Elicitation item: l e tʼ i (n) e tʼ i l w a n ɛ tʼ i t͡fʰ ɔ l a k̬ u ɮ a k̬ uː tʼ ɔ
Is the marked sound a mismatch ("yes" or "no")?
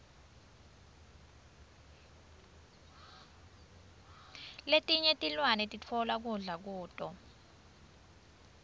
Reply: yes